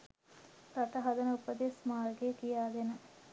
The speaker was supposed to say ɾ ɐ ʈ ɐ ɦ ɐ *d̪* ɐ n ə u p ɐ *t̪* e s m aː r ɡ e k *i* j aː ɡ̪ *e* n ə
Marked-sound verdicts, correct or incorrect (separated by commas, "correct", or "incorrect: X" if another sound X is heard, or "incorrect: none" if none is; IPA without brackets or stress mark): correct, incorrect: d̪, correct, correct